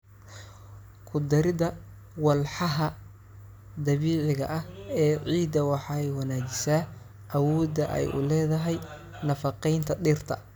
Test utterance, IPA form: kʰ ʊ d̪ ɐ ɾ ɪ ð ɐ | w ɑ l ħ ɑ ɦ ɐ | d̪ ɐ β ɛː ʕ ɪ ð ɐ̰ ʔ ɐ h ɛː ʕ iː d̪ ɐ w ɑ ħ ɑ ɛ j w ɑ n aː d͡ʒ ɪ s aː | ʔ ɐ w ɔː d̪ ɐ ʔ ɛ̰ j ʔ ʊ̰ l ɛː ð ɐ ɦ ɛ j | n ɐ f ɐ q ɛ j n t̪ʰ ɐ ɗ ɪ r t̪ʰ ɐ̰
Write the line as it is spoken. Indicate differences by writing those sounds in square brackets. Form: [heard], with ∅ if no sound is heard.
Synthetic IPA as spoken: kʰ ʊ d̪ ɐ ɾ ɪ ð ɐ | w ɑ l ħ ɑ ɦ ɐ | d̪ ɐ β [iː] ʕ ɪ [ɣ] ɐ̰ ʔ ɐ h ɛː ʕ iː d̪ ɐ w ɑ ħ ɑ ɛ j w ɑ n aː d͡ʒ ɪ s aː | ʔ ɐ w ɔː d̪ ɐ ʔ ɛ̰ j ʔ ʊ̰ l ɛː ð ɐ ɦ ɛ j | n ɐ f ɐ q ɛ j n t̪ʰ ɐ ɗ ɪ r t̪ʰ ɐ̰